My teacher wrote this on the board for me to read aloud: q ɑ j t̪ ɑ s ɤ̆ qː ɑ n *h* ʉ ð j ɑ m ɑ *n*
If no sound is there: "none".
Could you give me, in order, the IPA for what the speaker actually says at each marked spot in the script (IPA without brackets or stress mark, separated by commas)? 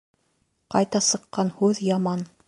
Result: h, n